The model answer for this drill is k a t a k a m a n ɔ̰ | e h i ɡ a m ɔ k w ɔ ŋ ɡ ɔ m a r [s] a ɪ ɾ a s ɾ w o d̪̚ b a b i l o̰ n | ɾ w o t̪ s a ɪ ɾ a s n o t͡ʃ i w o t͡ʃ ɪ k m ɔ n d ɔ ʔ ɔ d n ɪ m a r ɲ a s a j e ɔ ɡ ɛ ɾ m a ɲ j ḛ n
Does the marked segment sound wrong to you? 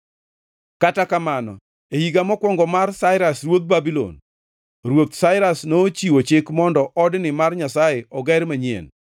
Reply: no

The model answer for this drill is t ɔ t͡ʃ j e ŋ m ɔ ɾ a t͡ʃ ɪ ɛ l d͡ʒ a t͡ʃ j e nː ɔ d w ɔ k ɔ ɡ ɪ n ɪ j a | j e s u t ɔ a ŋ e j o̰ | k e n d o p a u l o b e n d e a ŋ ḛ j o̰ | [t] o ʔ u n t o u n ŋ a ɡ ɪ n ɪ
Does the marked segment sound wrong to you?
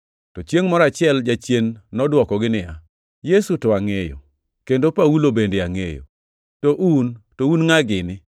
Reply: no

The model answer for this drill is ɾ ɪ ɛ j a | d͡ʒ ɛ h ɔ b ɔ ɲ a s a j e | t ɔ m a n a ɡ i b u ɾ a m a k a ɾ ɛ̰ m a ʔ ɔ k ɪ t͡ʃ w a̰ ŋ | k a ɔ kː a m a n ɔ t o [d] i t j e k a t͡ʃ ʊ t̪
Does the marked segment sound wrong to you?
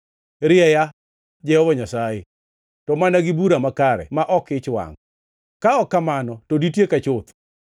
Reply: no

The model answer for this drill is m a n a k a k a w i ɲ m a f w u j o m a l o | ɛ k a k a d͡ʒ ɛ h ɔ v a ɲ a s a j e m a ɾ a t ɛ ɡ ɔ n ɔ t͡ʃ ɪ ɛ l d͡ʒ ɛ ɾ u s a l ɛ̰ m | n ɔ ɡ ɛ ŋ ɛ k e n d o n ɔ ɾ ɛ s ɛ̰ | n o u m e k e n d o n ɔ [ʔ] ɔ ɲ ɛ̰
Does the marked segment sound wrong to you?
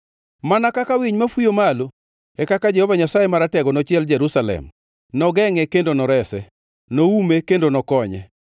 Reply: yes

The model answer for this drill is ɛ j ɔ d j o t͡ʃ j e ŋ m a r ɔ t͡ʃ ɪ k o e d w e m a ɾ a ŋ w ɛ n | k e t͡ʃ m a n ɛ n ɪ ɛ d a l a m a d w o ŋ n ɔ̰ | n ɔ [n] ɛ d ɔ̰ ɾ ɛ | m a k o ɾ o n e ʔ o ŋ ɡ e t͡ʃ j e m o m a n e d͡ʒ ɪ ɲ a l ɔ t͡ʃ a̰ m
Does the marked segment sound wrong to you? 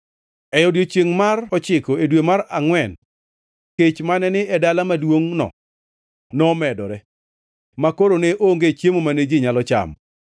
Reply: yes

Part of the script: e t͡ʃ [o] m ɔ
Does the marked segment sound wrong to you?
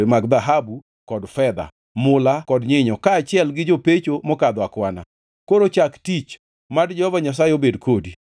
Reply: no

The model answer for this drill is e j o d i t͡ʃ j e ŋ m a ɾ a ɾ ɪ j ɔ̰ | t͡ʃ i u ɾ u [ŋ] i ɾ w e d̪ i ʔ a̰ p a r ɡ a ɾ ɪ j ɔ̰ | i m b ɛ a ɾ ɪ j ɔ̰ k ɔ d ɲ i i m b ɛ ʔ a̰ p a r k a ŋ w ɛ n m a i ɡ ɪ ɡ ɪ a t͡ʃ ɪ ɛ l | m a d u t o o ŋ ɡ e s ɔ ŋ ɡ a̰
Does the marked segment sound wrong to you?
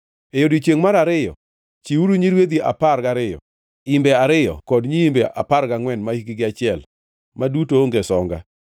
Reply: yes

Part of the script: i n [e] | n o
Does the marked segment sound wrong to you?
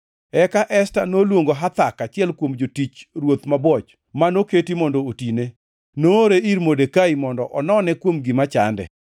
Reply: no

